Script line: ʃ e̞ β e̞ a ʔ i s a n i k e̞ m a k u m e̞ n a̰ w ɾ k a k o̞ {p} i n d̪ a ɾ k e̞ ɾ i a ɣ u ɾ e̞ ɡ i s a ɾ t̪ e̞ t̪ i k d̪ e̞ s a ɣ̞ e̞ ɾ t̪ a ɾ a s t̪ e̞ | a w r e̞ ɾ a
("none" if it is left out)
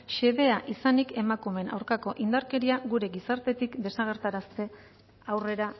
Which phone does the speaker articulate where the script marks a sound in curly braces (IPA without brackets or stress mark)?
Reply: ʔ